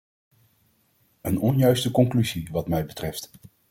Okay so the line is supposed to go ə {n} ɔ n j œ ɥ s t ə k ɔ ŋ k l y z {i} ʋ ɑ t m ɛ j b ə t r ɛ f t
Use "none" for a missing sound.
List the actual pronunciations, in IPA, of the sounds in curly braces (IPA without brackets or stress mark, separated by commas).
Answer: n, i